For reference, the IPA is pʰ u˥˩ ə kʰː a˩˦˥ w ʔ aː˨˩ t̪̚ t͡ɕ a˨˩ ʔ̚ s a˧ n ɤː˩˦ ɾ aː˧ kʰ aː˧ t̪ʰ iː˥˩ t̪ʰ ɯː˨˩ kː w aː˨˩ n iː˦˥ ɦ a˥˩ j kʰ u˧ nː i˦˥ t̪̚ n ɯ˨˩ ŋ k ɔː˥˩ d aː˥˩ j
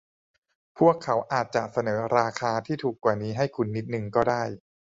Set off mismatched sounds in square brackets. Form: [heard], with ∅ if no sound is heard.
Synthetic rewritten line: pʰ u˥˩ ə kʰː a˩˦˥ w ʔ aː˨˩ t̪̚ t͡ɕ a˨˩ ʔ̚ s a˧ n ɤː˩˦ ɾ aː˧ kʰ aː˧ t̪ʰ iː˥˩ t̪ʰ [uː˨˩] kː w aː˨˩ n iː˦˥ ɦ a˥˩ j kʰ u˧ nː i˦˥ t̪̚ n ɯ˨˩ ŋ k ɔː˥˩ d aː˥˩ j